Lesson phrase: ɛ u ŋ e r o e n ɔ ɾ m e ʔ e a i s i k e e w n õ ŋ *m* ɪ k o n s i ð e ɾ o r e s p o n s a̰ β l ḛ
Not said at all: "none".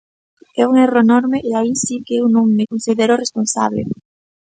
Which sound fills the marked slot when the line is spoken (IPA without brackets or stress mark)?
m